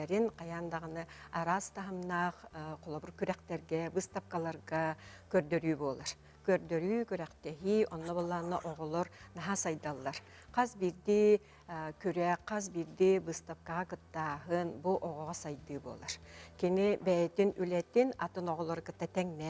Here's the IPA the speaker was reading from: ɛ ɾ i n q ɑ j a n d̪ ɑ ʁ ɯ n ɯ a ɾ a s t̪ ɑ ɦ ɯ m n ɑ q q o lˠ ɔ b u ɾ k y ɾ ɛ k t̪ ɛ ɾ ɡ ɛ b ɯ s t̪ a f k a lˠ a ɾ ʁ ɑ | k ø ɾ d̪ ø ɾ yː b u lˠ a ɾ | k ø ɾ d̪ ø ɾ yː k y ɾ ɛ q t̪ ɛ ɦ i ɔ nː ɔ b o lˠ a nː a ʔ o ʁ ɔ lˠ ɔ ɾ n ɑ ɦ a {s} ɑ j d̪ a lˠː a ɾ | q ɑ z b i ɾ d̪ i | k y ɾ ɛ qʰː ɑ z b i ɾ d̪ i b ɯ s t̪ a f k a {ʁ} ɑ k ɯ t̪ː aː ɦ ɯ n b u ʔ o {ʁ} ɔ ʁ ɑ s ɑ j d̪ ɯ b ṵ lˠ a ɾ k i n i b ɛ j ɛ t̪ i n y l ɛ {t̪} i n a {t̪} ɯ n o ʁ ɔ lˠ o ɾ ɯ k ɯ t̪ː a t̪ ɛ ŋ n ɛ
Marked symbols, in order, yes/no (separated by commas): yes, yes, yes, yes, yes